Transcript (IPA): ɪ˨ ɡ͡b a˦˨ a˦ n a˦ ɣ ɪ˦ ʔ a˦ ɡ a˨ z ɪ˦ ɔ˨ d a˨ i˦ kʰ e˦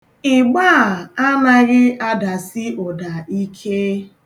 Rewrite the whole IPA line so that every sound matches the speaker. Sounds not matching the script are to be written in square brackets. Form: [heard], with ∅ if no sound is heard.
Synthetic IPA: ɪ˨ ɡ͡b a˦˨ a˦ n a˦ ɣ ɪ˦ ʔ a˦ [d] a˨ [s] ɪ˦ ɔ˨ d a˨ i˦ kʰ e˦